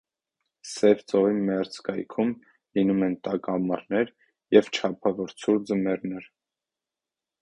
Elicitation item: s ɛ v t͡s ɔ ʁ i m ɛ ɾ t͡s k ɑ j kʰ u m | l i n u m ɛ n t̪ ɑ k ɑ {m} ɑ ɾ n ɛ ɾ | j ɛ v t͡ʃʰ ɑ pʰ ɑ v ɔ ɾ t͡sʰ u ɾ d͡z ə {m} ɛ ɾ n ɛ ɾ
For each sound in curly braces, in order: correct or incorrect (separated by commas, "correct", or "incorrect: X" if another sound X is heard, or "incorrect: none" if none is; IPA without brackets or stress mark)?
correct, correct